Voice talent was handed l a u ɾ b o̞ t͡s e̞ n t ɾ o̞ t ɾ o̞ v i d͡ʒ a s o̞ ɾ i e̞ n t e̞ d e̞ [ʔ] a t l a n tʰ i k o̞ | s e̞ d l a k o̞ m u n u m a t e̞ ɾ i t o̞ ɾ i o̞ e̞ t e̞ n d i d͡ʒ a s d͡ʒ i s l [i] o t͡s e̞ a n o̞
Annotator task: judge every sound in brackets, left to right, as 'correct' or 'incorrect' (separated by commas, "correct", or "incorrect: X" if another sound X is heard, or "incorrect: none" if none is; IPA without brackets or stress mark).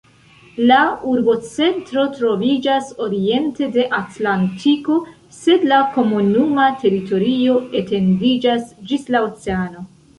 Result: correct, incorrect: a